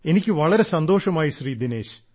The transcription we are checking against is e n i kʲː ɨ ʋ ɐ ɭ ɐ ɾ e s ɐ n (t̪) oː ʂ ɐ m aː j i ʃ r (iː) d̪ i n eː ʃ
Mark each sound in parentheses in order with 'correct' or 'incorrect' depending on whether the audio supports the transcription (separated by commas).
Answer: incorrect, correct